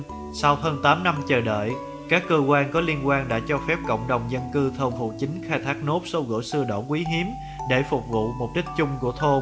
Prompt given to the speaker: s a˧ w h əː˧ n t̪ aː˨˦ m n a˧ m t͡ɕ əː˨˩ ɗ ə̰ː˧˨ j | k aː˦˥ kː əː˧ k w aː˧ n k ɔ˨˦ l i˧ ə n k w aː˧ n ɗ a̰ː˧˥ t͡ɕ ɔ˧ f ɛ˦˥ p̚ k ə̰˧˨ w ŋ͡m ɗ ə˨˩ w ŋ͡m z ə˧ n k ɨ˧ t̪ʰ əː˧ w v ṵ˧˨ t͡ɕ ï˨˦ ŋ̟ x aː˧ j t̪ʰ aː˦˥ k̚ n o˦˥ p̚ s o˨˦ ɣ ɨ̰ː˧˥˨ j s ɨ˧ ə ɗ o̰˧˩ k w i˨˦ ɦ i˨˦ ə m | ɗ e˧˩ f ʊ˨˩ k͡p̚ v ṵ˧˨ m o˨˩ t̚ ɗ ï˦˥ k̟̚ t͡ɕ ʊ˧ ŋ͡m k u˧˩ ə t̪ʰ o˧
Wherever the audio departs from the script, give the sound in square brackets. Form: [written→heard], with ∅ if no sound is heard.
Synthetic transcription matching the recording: s a˧ w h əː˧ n t̪ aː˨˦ m n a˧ m t͡ɕ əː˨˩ ɗ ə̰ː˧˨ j | k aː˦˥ kː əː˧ k w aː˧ n k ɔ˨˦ l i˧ ə n k w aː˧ n ɗ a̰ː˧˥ t͡ɕ ɔ˧ f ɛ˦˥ p̚ k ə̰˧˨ w ŋ͡m ɗ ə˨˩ w ŋ͡m z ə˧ n k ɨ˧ t̪ʰ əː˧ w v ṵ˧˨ t͡ɕ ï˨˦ ŋ̟ x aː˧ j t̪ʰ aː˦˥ k̚ n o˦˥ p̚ s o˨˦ ɣ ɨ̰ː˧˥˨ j s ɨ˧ ə ɗ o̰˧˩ k w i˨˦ ɦ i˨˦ ə m | ɗ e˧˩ f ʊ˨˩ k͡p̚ v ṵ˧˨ m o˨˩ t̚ ɗ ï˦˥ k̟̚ t͡ɕ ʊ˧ ŋ͡m k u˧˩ ə t̪ʰ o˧

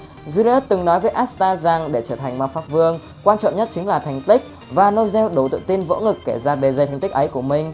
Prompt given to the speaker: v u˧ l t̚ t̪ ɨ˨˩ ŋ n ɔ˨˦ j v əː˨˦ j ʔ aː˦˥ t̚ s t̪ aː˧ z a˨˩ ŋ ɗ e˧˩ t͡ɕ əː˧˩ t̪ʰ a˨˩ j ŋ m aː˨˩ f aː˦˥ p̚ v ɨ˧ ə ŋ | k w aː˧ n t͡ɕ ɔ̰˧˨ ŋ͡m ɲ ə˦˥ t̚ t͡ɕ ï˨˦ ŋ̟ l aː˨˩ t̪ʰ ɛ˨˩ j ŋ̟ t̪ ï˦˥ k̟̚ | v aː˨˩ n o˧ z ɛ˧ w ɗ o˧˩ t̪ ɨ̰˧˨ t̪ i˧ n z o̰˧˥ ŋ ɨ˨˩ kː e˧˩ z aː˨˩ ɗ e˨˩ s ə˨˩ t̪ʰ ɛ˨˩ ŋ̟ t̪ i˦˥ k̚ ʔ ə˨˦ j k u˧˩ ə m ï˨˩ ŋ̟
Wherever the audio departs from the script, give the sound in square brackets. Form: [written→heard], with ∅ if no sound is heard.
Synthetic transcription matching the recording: [v→z] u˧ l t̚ t̪ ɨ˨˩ ŋ n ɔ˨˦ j v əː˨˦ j ʔ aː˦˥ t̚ s t̪ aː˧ z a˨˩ ŋ ɗ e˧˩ t͡ɕ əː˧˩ t̪ʰ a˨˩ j ŋ m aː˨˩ f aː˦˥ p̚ v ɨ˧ ə ŋ | k w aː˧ n t͡ɕ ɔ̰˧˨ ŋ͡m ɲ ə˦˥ t̚ t͡ɕ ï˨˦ ŋ̟ l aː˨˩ t̪ʰ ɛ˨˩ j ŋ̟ t̪ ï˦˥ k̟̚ | v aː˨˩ n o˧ z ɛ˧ w ɗ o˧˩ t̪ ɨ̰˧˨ t̪ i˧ n [z→v] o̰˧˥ ŋ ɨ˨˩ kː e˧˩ z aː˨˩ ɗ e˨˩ [s→z] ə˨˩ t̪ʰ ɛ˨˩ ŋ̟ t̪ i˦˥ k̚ ʔ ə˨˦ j k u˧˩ ə m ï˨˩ ŋ̟

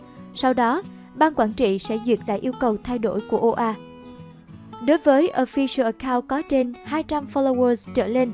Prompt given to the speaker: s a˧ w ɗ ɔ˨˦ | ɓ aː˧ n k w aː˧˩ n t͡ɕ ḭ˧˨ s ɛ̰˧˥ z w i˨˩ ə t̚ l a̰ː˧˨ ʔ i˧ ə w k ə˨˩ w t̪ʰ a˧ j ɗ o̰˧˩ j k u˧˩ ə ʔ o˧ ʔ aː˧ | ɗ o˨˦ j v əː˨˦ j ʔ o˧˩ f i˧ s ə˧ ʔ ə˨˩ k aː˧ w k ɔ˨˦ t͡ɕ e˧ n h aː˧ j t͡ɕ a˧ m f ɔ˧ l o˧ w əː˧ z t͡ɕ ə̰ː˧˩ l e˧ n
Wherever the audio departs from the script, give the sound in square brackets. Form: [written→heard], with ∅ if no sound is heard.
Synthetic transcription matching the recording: s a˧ w ɗ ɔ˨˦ | ɓ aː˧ n k w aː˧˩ n t͡ɕ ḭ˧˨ s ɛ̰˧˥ z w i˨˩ ə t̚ l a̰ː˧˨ ʔ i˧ ə w k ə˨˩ w t̪ʰ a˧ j ɗ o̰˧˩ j k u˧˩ ə ʔ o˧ ʔ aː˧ | ɗ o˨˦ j v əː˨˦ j ʔ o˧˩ f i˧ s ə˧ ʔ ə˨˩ k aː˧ w k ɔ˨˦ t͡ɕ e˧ n h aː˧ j t͡ɕ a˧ m f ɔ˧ l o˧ w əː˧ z t͡ɕ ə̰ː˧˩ l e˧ n

